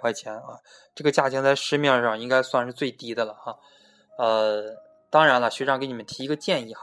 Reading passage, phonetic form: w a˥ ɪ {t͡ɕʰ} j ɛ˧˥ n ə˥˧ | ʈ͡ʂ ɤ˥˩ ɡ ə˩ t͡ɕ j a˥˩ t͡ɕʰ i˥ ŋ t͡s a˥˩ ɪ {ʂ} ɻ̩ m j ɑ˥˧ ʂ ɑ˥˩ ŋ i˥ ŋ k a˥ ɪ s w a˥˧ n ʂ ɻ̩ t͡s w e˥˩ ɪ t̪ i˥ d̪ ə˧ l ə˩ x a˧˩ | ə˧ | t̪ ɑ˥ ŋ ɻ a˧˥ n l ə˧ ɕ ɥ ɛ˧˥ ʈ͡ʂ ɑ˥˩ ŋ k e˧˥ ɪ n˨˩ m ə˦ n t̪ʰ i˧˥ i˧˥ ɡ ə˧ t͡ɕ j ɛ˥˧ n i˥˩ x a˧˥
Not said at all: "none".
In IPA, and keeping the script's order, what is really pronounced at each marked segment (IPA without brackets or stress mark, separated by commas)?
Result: t͡ɕʰ, ʂ